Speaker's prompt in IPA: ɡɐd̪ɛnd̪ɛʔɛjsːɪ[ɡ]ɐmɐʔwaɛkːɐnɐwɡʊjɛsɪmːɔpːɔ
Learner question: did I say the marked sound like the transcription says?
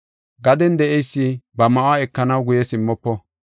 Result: no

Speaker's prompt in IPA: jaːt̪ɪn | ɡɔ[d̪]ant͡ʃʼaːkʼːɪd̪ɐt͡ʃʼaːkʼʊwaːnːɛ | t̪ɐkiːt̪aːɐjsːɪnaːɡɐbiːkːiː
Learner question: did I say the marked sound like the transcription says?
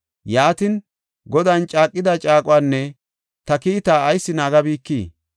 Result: yes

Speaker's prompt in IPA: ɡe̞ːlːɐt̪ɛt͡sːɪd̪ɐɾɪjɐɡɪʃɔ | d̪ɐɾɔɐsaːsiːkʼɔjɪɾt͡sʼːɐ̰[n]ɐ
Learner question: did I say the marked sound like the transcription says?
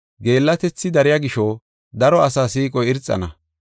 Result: yes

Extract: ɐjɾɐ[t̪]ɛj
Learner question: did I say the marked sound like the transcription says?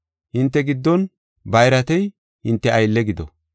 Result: yes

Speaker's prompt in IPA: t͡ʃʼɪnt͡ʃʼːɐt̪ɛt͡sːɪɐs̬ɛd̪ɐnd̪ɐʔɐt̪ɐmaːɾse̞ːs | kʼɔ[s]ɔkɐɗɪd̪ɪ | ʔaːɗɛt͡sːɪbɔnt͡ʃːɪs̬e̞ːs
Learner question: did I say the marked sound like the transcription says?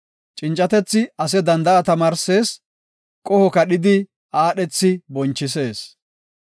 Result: no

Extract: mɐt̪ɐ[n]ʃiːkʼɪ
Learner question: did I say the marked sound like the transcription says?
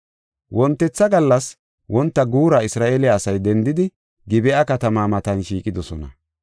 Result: yes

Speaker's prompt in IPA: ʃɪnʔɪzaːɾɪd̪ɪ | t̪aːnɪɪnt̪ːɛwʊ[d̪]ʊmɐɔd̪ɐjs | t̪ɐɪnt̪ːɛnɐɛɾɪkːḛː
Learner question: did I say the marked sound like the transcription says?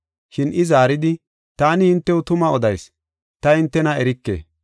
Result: no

